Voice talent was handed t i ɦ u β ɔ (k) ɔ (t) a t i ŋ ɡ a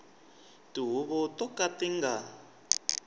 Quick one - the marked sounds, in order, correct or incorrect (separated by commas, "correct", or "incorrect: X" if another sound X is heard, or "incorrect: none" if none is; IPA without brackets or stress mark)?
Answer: incorrect: t, incorrect: k